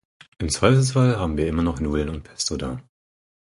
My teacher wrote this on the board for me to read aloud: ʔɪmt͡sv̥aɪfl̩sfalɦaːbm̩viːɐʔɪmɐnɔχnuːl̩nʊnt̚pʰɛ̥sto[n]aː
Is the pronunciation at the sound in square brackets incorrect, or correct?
incorrect: d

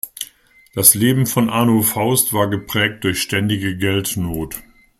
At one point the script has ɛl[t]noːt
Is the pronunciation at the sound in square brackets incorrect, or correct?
correct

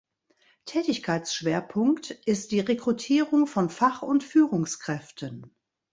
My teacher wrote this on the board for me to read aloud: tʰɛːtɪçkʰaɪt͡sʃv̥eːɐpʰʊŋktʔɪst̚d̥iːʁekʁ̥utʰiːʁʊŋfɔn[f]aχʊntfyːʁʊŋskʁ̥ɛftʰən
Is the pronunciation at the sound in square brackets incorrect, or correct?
correct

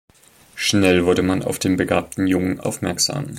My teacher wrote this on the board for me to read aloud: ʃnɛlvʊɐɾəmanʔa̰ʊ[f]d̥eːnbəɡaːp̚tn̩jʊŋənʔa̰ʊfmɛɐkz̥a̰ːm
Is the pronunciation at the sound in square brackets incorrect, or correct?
correct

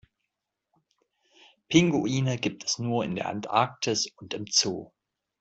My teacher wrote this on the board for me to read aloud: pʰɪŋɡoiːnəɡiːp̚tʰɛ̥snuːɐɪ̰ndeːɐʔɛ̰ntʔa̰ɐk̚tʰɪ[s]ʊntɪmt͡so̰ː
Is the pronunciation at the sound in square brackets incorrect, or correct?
correct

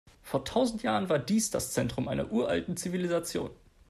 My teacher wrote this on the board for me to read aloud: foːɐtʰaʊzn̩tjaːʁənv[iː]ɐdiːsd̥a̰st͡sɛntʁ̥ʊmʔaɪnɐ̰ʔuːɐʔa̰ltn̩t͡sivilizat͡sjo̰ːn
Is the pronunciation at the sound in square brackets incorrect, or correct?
incorrect: aː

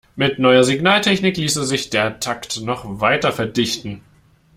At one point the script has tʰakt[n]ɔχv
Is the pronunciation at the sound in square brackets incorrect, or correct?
correct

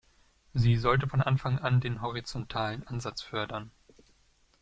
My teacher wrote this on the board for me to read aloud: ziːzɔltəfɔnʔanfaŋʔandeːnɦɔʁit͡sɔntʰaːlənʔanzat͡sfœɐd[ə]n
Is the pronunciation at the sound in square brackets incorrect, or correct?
incorrect: ɐ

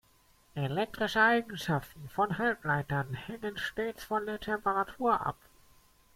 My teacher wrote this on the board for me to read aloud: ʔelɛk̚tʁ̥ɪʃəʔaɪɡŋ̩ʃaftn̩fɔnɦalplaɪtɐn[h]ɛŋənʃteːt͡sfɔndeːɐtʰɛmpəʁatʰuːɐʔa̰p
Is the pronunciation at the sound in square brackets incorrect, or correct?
correct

